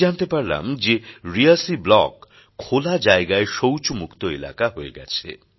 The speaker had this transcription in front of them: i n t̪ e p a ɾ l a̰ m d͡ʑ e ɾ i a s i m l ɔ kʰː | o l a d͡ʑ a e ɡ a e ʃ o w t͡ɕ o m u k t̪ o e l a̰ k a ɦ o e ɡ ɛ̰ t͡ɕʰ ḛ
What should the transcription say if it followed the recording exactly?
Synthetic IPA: a n t̪ e p a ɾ l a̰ m d͡ʑ e ɾ i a s i b l ɔ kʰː | o l a d͡ʑ a e ɡ a e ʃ o w t͡ɕ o m u k t̪ o e l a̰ k a ɦ o e ɡ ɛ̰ t͡ɕʰ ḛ